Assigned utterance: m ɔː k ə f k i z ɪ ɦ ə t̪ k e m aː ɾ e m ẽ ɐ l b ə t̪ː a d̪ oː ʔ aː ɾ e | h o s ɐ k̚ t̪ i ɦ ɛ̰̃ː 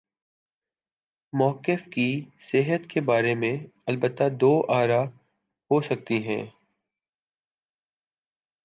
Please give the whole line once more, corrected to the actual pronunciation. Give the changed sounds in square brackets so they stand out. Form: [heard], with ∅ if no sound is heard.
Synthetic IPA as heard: m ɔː k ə f k i [s] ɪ ɦ ə t̪ k e [b] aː ɾ e m ẽ ɐ l b ə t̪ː a d̪ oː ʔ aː ɾ [a] | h o s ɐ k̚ t̪ i ɦ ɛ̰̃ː